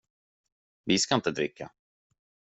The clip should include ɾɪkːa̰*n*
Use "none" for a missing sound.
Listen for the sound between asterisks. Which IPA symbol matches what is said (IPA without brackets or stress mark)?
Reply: none